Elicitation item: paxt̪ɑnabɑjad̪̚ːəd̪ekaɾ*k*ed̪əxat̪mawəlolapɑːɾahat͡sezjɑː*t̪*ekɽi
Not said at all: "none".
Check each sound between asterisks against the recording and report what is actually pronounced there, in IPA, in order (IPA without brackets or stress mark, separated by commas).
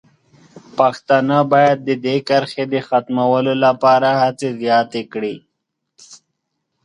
x, t̪